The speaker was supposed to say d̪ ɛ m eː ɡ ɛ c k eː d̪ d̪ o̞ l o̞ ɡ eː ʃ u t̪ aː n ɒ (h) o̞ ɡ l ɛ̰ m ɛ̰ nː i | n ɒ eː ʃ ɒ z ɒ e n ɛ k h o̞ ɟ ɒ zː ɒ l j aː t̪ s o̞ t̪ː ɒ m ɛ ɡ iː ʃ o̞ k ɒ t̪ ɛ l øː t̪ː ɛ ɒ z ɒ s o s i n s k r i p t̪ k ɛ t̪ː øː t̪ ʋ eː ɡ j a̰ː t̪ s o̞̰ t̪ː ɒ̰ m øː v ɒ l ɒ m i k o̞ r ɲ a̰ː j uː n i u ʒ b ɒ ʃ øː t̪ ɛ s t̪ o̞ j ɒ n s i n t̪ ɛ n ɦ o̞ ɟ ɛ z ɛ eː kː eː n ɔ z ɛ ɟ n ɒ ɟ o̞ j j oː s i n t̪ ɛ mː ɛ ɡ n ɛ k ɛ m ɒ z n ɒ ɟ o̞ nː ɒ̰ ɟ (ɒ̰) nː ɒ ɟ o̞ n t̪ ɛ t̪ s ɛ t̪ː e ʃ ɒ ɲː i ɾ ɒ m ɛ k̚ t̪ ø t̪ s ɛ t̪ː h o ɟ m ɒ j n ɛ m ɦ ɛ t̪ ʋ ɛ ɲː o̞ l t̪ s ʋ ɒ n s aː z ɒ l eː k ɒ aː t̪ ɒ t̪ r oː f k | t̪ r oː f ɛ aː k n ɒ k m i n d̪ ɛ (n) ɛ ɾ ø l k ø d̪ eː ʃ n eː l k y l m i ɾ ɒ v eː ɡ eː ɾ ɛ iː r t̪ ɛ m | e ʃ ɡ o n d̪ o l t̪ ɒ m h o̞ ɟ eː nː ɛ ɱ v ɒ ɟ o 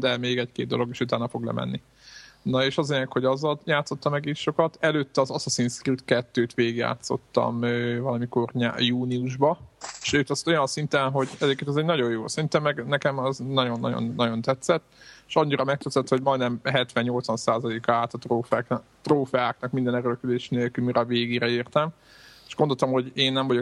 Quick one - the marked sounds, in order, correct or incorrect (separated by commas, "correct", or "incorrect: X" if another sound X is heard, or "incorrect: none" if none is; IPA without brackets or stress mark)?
incorrect: f, incorrect: o̰, correct